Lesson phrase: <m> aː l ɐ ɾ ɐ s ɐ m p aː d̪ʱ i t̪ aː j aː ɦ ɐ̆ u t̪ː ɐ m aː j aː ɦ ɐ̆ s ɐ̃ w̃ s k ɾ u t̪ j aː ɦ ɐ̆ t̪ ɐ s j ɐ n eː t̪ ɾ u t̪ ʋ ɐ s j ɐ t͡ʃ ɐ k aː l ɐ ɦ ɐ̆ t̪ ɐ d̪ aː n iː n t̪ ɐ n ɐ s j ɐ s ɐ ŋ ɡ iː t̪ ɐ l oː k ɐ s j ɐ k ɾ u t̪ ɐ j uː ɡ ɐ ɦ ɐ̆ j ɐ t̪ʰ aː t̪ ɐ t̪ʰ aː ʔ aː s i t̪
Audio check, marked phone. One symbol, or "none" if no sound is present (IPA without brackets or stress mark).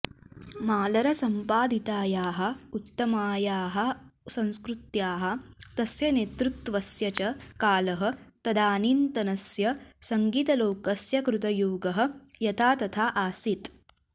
m